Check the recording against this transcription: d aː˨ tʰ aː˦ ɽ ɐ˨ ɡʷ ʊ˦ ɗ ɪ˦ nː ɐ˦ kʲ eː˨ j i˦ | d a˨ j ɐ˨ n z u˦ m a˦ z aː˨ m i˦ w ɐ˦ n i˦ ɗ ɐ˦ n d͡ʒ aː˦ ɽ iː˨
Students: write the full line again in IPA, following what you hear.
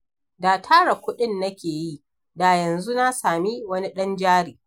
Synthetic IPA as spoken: d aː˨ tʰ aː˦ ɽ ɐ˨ kʷ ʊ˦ ɗ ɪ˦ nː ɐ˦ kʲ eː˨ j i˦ | d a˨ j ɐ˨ n z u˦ n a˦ s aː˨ m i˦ w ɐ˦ n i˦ ɗ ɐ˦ n d͡ʒ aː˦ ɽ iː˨